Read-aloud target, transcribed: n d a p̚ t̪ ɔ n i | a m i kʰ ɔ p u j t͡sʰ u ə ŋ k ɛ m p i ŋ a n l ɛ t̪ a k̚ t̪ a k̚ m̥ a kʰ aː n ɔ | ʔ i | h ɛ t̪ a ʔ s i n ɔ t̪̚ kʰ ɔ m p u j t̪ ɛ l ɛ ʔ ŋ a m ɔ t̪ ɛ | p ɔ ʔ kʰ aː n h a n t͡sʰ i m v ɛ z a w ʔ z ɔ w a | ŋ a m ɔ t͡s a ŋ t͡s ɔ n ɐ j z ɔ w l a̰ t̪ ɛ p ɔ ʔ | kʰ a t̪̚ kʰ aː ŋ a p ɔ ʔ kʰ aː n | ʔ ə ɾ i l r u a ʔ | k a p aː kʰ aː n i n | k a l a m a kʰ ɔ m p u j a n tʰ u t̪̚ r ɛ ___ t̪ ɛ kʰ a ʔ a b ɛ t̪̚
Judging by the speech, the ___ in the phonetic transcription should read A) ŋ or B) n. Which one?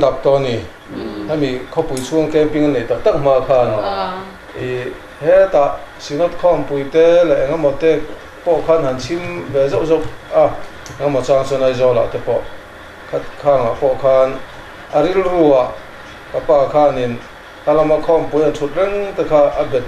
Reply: A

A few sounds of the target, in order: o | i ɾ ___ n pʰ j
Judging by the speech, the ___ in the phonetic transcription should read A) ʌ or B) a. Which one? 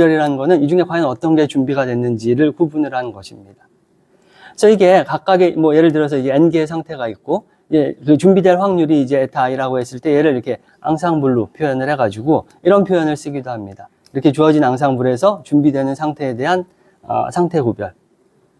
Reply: A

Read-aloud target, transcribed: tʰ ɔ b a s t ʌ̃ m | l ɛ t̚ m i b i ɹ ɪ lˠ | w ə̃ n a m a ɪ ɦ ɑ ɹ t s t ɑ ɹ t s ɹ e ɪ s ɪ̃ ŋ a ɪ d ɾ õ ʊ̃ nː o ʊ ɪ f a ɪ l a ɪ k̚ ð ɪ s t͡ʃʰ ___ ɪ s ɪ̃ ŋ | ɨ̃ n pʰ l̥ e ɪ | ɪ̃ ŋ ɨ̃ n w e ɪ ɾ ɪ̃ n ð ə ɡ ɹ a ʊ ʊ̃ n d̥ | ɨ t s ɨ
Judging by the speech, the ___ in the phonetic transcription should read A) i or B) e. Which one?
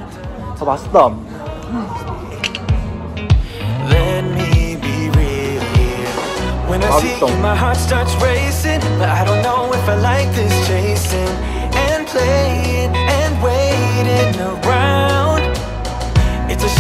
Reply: B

